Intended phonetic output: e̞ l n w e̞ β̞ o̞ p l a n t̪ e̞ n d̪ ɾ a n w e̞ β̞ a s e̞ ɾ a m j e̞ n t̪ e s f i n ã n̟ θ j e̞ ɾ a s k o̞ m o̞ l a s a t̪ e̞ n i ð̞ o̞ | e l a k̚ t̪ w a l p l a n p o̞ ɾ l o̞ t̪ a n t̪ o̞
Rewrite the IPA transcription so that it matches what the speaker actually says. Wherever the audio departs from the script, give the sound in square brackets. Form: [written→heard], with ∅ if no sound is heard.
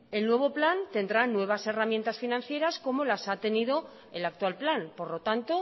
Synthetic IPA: e̞ l n w e̞ β̞ o̞ p l a n t̪ e̞ n d̪ ɾ a n w e̞ β̞ a s e̞ [ɾ→r] a m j e̞ n t̪ [e→a] s f i n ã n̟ θ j e̞ ɾ a s k o̞ m o̞ l a s a t̪ e̞ n i ð̞ o̞ | e l a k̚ t̪ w a l p l a n p o̞ ɾ l o̞ t̪ a n t̪ o̞